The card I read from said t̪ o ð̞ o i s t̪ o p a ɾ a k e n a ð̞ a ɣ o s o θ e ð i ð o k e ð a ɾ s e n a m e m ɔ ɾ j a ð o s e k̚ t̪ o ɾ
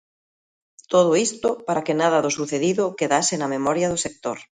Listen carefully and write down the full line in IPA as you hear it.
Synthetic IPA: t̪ o ð̞ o i s t̪ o p a ɾ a k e n a ð̞ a ð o s u θ e ð i ð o k e ð a s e n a m e m ɔ ɾ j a ð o s e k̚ t̪ o ɾ